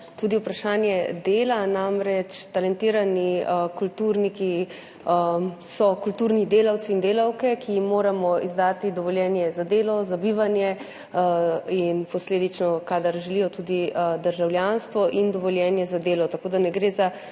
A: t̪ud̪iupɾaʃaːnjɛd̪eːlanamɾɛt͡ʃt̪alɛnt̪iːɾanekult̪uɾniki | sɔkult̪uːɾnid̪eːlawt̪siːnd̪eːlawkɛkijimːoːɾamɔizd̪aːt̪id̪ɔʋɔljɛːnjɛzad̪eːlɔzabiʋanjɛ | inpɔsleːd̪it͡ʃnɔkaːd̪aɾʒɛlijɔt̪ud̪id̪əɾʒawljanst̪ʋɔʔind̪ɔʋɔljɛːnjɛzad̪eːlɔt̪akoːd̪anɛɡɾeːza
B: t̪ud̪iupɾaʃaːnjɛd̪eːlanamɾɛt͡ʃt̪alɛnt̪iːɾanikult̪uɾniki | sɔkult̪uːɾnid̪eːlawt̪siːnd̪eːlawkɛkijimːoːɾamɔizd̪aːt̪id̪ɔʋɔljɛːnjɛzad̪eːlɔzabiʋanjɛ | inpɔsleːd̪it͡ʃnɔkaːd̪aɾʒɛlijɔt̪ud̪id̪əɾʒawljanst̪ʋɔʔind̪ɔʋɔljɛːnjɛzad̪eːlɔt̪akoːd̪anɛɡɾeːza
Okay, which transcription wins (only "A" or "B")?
B